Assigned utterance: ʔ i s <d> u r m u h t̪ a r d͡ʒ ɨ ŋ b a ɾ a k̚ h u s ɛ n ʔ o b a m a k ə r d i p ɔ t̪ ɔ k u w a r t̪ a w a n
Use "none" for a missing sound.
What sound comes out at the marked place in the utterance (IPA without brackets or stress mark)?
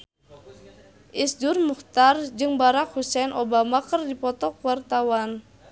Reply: d